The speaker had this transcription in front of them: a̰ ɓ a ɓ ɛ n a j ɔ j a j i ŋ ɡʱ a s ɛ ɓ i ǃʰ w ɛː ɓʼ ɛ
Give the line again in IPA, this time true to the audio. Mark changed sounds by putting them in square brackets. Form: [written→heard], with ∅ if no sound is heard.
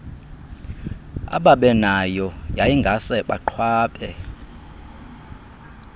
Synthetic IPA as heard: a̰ ɓ a ɓ ɛ n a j ɔ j a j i ŋ ɡʱ a s ɛ ɓ [i→a] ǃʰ w [ɛː→aː] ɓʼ ɛ